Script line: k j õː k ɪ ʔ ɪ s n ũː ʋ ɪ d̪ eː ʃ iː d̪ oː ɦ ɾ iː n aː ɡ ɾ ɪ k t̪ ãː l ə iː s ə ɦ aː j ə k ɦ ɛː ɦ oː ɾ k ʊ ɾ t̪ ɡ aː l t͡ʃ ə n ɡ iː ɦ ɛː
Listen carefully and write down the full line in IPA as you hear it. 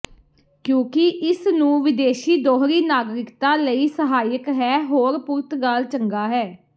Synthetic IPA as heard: k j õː k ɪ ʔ ɪ s n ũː ʋ ɪ d̪ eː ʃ iː d̪ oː ɦ ɾ iː n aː ɡ ɾ ɪ k t̪ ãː l ə iː s ə ɦ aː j ə k ɦ ɛː ɦ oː ɾ p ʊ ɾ t̪ ɡ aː l t͡ʃ ə ŋ ɡ aː ɦ ɛː

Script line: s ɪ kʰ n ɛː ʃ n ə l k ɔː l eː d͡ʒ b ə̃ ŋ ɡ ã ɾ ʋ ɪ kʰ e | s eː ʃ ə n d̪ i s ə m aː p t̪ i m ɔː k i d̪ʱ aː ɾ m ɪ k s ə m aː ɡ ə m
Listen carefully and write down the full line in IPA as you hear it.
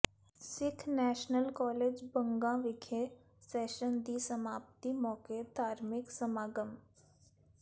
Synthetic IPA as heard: s ɪ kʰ n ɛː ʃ n ə l k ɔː l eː d͡ʒ b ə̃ ŋ ɡ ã ʋ ɪ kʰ e | s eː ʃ ə n d̪ i s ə m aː p t̪ i m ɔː k e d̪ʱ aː ɾ m ɪ k s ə m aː ɡ ə m

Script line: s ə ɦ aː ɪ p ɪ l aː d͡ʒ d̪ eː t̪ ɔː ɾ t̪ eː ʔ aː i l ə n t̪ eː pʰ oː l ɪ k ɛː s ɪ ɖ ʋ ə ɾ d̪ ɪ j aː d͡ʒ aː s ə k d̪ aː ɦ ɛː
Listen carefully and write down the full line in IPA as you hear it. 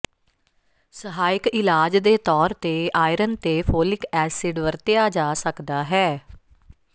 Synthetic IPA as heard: s ə ɦ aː ɪ k ɪ l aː d͡ʒ d̪ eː t̪ ɔː ɾ t̪ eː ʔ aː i ɾ ə n t̪ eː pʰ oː l ɪ k ɛː s ɪ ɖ ʋ ə ɾ t̪ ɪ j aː d͡ʒ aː s ə k d̪ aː ɦ ɛː

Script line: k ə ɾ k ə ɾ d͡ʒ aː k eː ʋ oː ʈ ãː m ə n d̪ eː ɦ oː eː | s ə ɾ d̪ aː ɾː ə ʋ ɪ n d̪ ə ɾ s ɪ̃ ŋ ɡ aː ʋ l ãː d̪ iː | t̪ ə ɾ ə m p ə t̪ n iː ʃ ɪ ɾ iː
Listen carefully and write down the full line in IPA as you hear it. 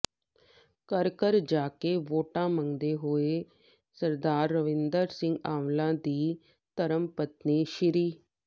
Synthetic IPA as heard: k ə ɾ k ə ɾ d͡ʒ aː k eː ʋ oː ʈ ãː m ə ŋ d̪ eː ɦ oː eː | s ə ɾ d̪ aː ɾː ə ʋ ɪ n d̪ ə ɾ s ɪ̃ ŋ ɡ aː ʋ l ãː d̪ iː | t̪ ə ɾ ə m p ə t̪ n iː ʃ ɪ ɾ iː

